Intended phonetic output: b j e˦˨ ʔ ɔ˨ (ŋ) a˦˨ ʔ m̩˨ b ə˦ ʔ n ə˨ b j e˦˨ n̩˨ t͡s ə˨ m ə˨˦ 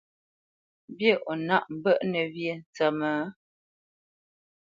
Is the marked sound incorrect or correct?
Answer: incorrect